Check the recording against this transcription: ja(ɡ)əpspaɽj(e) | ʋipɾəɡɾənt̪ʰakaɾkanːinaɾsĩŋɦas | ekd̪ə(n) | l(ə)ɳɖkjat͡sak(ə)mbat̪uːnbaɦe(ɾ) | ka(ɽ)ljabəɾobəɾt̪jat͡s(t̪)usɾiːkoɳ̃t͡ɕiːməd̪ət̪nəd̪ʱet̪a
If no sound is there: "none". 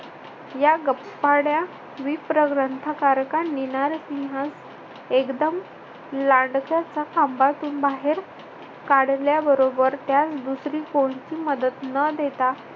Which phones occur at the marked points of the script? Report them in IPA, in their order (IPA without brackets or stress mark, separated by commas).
ɡ, a, m, a, a, ɾ, ɽ, d̪